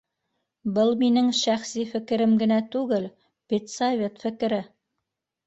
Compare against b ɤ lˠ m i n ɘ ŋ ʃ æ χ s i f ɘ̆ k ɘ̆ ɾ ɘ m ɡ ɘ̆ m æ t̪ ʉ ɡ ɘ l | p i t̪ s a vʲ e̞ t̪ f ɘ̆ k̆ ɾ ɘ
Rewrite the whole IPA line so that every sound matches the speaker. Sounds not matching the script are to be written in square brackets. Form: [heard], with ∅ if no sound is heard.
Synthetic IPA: b ɤ lˠ m i n ɘ ŋ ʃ æ χ s i f ɘ̆ k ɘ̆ ɾ ɘ m ɡ ɘ̆ [n] æ t̪ ʉ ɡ ɘ l | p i t̪ s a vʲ e̞ t̪ f ɘ̆ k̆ ɾ ɘ